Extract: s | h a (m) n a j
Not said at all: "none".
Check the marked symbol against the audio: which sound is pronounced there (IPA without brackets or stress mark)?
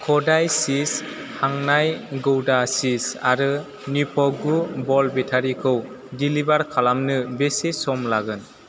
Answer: ŋ